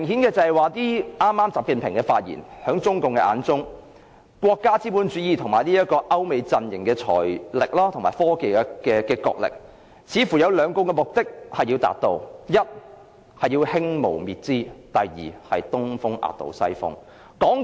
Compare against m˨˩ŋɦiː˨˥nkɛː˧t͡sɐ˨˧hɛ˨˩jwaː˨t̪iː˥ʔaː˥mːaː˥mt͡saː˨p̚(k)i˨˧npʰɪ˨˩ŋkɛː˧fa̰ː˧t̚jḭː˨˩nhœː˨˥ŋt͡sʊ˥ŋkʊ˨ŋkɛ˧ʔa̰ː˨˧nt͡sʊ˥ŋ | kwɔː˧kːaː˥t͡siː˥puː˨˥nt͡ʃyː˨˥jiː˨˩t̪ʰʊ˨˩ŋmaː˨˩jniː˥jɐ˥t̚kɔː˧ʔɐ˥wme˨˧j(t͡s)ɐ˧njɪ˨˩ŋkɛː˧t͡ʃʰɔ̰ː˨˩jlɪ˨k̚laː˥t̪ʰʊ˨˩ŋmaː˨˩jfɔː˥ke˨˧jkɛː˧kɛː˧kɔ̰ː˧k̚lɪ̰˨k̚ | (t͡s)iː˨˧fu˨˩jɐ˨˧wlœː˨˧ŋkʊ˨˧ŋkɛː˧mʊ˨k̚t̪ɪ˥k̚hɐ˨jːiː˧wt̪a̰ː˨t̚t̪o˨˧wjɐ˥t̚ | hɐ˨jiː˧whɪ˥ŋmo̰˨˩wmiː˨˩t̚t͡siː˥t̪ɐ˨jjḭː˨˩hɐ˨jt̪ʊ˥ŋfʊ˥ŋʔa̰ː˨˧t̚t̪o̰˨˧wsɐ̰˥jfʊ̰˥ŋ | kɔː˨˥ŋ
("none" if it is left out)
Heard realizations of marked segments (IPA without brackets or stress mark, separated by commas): k, t͡s, t͡sʰ